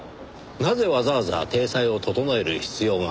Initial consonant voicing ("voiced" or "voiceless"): voiced